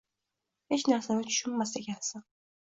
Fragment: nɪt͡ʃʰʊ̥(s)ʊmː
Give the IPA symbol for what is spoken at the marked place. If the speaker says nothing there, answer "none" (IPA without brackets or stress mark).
ʃ